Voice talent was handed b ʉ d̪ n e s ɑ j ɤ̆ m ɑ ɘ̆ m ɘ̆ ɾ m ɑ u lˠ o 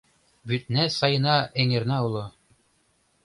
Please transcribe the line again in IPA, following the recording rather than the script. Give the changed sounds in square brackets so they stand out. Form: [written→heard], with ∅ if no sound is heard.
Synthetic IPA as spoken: b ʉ [d̪→t̪] n [e→æ] s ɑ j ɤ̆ [m→n] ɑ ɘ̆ [m→ŋ] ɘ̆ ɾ [m→n] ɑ u lˠ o

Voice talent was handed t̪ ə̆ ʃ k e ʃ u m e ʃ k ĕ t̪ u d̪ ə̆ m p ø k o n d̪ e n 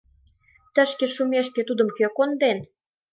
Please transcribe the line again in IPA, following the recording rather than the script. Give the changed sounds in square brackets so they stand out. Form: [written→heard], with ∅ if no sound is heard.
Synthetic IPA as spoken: t̪ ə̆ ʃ k e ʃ u m e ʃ k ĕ t̪ u d̪ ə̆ m [p→k] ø k o n d̪ e n

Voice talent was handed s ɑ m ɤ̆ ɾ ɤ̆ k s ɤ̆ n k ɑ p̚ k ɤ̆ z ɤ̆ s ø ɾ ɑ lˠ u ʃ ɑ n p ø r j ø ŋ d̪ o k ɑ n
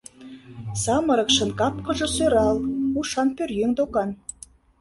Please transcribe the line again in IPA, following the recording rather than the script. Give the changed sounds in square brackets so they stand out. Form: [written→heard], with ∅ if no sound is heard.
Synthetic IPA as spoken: s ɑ m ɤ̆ ɾ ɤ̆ k [s→ʃ] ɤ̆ n k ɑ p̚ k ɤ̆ [z→ʒ] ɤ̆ s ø ɾ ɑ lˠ u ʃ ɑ n p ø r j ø ŋ d̪ o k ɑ n

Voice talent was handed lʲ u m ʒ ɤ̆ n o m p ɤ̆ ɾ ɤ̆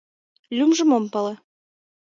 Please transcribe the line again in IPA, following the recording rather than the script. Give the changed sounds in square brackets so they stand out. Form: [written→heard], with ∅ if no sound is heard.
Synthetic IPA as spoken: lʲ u m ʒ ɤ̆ [n→m] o m p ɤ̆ [ɾ→l] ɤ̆

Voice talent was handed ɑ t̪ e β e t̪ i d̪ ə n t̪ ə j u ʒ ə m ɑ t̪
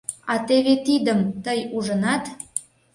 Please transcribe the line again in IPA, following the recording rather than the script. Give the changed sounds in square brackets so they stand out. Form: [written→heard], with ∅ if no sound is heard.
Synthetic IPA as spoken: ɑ t̪ e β e t̪ i d̪ ə [n→m] t̪ ə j u ʒ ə [m→n] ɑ t̪

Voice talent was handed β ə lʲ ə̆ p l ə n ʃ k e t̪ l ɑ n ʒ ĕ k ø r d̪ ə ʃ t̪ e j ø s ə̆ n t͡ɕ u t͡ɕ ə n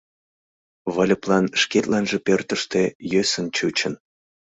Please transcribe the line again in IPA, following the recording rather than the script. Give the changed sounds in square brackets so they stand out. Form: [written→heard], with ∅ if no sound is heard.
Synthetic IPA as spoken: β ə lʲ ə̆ p l [ə→ɑ] n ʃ k e t̪ l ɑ n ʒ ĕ [k→p] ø r [d̪→t̪] ə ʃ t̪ e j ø s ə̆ n t͡ɕ u t͡ɕ ə n

